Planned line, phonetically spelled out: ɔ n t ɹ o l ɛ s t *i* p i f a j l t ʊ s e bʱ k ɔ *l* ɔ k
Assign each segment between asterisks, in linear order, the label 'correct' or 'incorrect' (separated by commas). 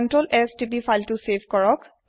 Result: correct, incorrect